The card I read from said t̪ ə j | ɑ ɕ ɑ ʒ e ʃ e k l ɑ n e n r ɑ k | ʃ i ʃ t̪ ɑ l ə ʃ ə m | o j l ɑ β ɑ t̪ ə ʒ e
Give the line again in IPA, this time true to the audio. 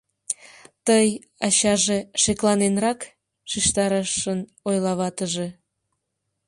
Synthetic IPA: t̪ ə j | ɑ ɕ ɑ ʒ e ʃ e k l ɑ n e n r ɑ k | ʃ i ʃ t̪ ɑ ɾ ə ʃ ə n | o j l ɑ β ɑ t̪ ə ʒ e